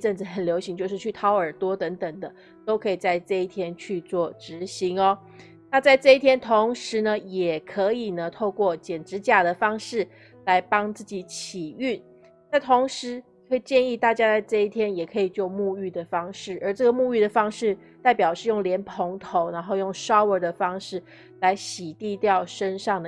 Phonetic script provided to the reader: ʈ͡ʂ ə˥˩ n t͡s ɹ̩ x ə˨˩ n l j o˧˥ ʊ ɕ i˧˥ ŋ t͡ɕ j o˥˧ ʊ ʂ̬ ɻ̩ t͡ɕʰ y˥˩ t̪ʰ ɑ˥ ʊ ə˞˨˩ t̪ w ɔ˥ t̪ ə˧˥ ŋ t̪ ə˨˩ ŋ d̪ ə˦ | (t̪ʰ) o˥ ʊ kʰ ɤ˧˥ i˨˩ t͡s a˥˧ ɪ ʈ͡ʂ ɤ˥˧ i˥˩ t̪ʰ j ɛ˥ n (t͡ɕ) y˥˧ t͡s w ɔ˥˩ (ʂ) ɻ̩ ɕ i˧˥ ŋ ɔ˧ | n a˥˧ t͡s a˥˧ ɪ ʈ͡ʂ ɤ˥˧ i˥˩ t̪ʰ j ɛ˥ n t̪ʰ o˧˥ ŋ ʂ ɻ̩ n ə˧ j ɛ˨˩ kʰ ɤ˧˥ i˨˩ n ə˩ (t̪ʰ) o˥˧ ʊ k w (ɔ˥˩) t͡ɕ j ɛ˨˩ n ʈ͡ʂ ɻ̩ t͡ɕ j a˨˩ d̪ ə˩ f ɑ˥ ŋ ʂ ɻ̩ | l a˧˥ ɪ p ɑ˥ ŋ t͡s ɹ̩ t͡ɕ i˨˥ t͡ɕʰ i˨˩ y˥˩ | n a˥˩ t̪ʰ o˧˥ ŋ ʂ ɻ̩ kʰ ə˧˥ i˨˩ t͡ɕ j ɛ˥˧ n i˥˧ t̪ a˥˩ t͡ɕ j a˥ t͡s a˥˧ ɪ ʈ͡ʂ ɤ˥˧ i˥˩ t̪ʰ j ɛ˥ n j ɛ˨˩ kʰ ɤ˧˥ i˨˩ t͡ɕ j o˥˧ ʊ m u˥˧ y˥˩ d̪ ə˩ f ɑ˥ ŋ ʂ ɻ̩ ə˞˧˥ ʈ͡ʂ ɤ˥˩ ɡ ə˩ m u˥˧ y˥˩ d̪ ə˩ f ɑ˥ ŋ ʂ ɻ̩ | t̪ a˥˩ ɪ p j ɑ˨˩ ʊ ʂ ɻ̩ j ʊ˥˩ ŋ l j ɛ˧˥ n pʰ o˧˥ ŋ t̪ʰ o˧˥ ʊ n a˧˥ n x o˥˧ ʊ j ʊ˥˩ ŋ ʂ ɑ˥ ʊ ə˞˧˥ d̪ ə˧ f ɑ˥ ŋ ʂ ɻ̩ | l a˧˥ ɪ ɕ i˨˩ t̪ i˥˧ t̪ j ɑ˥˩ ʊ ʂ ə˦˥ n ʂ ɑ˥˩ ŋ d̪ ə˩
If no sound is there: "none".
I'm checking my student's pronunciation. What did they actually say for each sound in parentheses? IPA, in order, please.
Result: t̪, t͡ɕʰ, ʈ͡ʂ, t̪ʰ, ɔ˥˩

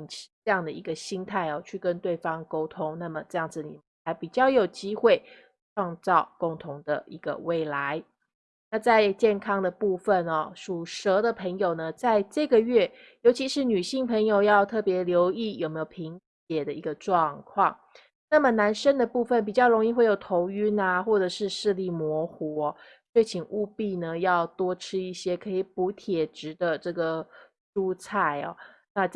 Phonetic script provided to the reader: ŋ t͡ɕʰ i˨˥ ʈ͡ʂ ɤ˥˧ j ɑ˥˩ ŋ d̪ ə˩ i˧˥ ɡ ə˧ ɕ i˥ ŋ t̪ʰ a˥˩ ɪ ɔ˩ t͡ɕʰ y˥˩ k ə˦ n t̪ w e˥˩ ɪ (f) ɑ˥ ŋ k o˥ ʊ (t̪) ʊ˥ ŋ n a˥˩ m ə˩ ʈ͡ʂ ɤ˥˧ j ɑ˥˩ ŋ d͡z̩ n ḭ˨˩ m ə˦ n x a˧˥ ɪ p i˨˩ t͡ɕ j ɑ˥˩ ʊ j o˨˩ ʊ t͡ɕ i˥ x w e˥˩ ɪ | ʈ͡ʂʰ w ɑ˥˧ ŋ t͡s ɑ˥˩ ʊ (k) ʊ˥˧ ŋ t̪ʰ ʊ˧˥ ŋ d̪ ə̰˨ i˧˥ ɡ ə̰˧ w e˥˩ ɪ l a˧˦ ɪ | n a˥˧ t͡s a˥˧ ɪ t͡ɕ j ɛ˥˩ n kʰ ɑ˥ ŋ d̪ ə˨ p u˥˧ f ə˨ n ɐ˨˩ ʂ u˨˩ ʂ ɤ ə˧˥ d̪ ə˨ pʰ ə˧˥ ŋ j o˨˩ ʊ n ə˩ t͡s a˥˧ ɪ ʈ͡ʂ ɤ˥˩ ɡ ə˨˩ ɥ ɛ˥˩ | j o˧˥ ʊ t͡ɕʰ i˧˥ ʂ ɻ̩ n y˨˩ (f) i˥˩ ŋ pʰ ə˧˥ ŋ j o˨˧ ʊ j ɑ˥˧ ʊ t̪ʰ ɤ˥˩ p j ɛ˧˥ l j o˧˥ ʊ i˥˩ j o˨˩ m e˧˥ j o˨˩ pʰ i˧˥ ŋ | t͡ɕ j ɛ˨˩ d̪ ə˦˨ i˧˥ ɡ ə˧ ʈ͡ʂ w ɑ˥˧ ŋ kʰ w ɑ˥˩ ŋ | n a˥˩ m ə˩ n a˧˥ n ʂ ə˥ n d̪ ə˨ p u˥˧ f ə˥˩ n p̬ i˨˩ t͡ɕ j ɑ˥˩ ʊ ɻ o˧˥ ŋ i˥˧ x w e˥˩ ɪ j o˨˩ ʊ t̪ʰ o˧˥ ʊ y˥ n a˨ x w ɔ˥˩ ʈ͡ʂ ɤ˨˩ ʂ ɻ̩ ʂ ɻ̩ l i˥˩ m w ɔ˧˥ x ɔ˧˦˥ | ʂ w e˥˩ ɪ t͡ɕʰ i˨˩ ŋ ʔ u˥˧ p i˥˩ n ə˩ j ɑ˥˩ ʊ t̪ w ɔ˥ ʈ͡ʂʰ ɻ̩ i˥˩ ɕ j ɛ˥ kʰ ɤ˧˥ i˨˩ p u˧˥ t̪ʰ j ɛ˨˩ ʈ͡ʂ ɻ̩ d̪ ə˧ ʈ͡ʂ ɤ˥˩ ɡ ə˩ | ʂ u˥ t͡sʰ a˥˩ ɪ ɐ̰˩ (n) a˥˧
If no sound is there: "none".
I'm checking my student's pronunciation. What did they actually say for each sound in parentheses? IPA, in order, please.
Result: f, t̪ʰ, k, ɕ, n

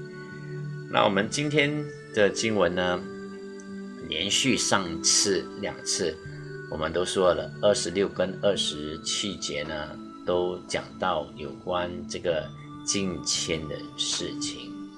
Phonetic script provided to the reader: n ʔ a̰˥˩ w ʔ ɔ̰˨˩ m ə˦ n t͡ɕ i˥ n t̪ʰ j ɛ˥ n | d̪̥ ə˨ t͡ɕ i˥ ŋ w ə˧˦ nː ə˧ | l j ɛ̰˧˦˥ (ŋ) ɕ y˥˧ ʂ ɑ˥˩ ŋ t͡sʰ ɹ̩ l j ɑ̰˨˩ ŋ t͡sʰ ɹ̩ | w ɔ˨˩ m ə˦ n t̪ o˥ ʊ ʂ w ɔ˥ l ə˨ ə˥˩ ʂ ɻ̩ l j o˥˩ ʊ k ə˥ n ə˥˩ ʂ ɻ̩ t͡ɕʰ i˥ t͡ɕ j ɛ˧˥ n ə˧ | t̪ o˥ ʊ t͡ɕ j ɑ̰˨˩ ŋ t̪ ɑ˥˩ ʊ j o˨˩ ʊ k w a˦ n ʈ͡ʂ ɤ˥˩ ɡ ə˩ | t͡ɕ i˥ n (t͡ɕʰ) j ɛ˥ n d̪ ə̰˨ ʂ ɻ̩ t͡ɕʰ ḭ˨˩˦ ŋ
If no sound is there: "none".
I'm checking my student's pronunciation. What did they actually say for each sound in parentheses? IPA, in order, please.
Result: n, t͡ɕʰ

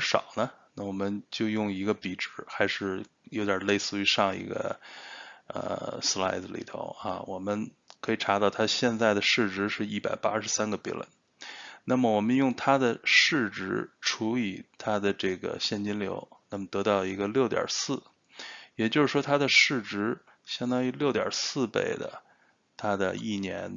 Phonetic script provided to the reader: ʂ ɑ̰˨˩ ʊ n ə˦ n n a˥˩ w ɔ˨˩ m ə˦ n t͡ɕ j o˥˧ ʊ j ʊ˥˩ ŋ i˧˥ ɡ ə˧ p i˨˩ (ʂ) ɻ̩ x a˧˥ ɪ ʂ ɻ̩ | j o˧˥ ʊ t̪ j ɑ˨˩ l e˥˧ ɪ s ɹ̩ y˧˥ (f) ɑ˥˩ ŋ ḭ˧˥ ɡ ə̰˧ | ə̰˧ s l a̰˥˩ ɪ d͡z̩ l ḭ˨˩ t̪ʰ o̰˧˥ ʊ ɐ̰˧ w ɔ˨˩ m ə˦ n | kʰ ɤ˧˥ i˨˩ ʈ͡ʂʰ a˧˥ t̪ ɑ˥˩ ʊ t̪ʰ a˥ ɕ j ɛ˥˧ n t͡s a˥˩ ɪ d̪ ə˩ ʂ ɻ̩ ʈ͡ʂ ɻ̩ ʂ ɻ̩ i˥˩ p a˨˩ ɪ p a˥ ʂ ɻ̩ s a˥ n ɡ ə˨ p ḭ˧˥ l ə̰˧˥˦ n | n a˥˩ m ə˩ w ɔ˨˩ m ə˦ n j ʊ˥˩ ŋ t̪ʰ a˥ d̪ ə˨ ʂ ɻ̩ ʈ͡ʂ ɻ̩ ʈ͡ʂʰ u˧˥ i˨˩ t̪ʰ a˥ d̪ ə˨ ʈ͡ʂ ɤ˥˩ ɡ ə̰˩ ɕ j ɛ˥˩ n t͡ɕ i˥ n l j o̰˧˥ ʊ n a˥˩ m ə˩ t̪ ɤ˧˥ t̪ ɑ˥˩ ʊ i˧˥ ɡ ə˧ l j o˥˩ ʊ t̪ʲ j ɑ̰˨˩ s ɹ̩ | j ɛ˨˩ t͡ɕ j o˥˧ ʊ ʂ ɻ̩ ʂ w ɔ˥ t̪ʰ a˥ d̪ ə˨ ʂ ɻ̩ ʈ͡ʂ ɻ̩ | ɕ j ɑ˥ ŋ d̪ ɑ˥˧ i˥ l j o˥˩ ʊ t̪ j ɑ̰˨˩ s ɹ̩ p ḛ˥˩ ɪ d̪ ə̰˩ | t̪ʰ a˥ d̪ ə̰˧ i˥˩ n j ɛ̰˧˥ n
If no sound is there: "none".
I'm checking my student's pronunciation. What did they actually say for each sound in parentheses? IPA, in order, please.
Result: ʈ͡ʂ, ʂ

